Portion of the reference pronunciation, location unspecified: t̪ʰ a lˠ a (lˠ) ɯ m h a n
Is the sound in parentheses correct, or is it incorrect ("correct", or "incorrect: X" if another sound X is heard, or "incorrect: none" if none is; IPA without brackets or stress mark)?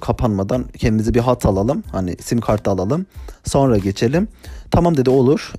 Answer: correct